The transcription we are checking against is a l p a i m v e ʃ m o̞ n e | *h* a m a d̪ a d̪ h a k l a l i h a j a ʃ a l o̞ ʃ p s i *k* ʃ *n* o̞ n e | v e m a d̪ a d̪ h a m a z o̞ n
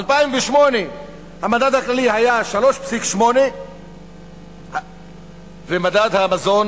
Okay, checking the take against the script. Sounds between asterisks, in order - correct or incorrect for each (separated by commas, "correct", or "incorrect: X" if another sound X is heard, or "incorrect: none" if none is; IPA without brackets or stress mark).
correct, correct, incorrect: m